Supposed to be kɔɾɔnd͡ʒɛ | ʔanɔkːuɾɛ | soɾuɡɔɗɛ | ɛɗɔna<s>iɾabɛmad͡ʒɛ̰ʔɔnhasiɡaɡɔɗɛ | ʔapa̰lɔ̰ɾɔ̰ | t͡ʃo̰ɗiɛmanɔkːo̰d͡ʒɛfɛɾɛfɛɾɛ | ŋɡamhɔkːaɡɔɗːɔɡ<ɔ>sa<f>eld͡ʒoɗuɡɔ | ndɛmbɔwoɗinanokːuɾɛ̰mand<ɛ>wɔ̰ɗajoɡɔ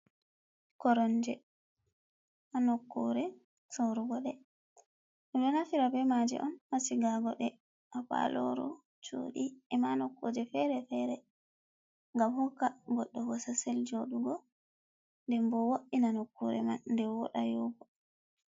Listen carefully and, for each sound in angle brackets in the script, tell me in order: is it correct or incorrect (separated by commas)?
incorrect, correct, incorrect, correct